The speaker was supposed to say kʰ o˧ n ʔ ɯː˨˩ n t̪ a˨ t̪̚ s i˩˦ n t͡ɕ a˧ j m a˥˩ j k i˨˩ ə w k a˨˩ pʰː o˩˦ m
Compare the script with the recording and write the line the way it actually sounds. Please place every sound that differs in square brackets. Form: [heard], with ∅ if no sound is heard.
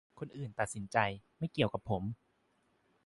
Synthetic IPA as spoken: kʰ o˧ n ʔ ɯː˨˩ n t̪ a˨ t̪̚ s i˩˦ n t͡ɕ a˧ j m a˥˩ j k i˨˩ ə w k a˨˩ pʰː o˩˦ m